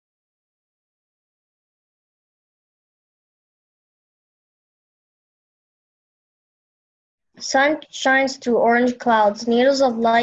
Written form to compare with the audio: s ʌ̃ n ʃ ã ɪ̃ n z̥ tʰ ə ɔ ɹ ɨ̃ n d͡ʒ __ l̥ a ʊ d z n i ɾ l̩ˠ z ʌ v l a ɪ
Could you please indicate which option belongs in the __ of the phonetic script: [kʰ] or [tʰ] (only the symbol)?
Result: kʰ